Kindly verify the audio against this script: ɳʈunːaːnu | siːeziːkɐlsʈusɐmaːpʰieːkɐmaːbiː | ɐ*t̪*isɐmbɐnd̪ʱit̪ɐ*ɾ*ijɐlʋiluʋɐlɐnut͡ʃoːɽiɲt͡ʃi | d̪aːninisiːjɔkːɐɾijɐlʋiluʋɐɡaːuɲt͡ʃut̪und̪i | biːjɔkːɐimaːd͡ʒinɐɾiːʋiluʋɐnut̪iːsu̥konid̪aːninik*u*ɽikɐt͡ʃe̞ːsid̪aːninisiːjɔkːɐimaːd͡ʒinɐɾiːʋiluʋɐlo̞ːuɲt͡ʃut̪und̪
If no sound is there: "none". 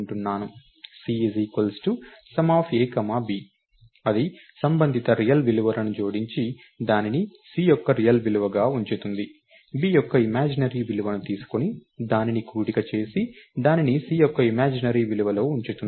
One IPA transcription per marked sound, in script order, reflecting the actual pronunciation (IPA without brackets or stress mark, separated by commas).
d̪, ɾ, uː